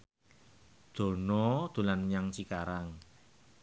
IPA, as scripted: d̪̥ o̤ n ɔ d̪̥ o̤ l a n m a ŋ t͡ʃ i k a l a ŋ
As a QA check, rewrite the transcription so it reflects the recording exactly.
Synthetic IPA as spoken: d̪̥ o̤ n ɔ d̪̥ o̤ l a n ɲ a ŋ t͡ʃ i k a ɾ a ŋ